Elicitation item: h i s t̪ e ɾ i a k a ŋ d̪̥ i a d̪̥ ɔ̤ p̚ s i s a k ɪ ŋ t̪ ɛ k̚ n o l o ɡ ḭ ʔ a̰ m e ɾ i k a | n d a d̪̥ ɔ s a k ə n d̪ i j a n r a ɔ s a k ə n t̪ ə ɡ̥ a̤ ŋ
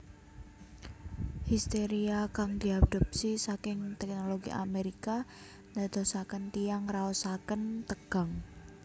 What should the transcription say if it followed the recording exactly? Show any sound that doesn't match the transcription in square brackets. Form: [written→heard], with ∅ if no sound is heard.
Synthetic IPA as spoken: h i s t̪ e ɾ i a k a ŋ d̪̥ i a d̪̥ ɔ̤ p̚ s i s a k ɪ ŋ t̪ ɛ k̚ n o l o ɡ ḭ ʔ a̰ m e ɾ i k a | n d a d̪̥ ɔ s a k ə n [d̪→t̪] i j a [n→ŋ] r a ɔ s a k ə n t̪ ə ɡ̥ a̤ ŋ

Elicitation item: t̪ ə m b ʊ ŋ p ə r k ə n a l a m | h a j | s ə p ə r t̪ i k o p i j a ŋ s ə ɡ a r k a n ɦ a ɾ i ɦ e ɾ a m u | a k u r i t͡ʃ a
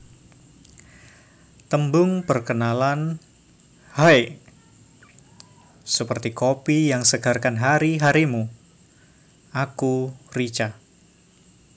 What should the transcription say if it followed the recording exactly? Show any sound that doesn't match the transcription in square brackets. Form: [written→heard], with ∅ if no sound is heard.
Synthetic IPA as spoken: t̪ ə m b ʊ ŋ p ə r k ə n a l a [m→n] | h a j | s ə p ə r t̪ i k o p i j a ŋ s ə ɡ a r k a n ɦ a ɾ i ɦ [e→a] ɾ [a→i] m u | a k u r i t͡ʃ a

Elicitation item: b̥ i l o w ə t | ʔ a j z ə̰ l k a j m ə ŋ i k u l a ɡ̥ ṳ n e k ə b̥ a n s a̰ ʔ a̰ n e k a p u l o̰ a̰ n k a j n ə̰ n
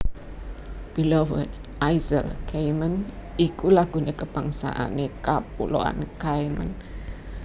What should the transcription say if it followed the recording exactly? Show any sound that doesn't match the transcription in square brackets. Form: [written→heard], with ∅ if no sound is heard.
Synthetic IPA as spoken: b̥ i l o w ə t | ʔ a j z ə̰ l k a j m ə [ŋ→n] i k u l a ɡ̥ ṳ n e k ə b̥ a [n→ŋ] s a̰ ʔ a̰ n e k a p u l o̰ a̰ n k a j [n→m] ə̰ n

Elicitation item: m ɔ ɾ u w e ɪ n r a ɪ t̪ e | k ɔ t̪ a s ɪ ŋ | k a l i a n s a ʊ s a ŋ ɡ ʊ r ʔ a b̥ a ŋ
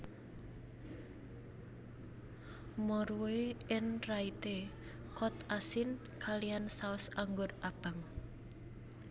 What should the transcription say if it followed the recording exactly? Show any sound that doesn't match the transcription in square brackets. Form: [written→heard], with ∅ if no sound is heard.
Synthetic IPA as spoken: m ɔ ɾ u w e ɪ n r a [ɪ→i] t̪ e | k ɔ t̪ a s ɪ [ŋ→n] | k a l i a n s a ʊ s a ŋ ɡ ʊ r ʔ a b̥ a ŋ

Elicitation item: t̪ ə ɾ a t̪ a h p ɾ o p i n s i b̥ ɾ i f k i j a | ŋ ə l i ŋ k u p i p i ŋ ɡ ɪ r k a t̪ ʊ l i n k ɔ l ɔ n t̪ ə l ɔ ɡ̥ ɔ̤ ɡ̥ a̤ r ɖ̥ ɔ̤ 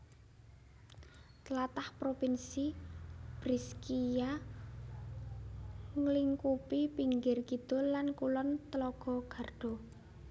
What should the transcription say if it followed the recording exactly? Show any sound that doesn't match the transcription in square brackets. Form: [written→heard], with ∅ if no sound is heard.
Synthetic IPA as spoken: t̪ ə [ɾ→l] a t̪ a h p ɾ o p i n s i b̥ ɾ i [f→s] k i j a | ŋ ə l i ŋ k u p i p i ŋ ɡ ɪ r k [a→i] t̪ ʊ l [i→a] n k [ɔ→u] l ɔ n t̪ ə l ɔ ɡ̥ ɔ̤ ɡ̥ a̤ r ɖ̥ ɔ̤

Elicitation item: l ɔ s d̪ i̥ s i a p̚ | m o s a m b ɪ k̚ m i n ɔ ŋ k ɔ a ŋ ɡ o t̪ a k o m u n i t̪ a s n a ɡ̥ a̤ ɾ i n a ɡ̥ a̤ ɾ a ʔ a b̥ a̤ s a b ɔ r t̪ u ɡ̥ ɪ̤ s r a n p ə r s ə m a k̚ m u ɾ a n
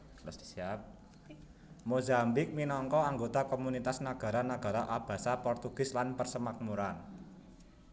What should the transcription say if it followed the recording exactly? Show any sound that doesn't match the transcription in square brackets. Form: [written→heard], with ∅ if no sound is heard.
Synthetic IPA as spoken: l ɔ s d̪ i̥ s i a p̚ | m o [s→z] a m b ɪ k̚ m i n ɔ ŋ k ɔ a ŋ ɡ o t̪ a k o m u n i t̪ a s n a ɡ̥ a̤ ɾ [i→a] n a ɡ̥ a̤ ɾ a ʔ a b̥ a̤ s a [b→p] ɔ r t̪ u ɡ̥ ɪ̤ s [r→l] a n p ə r s ə m a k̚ m u ɾ a n

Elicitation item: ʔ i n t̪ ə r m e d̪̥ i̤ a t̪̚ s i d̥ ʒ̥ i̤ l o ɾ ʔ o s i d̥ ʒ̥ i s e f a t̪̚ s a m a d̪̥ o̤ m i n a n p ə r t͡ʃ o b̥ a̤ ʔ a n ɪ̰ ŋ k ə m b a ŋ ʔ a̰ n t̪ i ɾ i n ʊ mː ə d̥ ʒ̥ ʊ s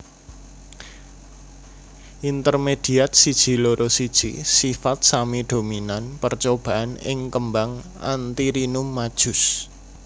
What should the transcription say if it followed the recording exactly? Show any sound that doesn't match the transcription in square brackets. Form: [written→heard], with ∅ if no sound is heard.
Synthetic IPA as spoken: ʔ i n t̪ ə r m e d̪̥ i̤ a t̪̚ s i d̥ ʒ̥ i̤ l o ɾ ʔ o s i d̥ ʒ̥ i s [e→i] f a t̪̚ s a m [a→i] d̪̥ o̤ m i n a n p ə r t͡ʃ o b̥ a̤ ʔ a n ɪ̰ ŋ k ə m b a ŋ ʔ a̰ n t̪ i ɾ i n ʊ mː [ə→a] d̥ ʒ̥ ʊ s

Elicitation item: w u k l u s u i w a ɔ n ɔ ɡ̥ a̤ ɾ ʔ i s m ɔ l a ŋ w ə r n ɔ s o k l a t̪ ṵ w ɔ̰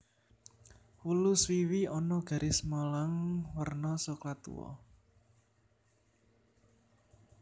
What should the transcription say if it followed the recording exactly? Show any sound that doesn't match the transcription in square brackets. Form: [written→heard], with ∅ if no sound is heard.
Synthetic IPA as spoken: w u [k→∅] l u s [u→w] i w [a→i] ɔ n ɔ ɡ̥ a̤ ɾ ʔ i s m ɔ l a ŋ w ə r n ɔ s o k l a t̪ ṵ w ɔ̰

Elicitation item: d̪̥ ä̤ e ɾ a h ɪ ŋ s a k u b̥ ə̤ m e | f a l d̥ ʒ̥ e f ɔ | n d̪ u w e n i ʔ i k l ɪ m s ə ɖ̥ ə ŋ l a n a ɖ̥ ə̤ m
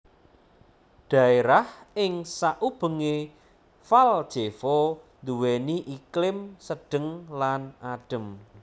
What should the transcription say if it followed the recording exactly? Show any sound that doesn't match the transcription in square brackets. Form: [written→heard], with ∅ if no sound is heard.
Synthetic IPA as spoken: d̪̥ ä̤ e ɾ a h ɪ ŋ s a [k→ʔ] u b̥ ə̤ [m→ŋ] e | f a l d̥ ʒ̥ e f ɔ | n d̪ u w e n i ʔ i k l ɪ m s ə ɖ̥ ə ŋ l a n a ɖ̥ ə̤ m

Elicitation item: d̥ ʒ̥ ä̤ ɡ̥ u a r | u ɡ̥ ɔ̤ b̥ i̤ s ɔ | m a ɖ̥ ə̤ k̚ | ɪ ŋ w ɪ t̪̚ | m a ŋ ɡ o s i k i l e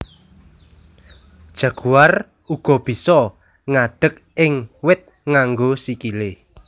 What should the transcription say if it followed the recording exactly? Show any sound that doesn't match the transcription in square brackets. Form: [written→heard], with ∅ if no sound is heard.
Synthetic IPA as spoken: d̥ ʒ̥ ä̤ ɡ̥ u a r | u ɡ̥ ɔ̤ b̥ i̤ s ɔ | [m→ŋ] a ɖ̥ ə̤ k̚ | ɪ ŋ w ɪ t̪̚ | [m→ŋ] a ŋ ɡ o s i k i l e

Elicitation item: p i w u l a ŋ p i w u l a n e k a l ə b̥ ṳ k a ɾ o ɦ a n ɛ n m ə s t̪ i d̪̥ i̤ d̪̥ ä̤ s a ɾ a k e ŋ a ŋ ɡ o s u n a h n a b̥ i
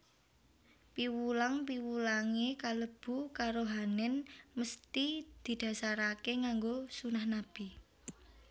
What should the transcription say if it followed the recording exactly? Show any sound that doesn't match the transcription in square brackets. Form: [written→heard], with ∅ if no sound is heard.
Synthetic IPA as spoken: p i w u l a ŋ p i w u l a [n→ŋ] e k a l ə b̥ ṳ k a ɾ o ɦ a n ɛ n m ə s t̪ i d̪̥ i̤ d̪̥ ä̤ s a ɾ a k e ŋ a ŋ ɡ o s u n a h n a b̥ i

